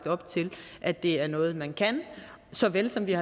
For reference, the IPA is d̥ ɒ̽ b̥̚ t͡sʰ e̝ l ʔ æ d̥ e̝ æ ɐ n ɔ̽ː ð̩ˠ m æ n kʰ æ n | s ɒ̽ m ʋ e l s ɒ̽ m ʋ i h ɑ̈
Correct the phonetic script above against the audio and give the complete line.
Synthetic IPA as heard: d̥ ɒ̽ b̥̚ t͡sʰ e̝ l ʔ æ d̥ e̝ æ ɐ n ɔ̽ː ð̩ˠ m æ n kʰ æ n | s ɒ̽ ʋ e l s ɒ̽ m ʋ i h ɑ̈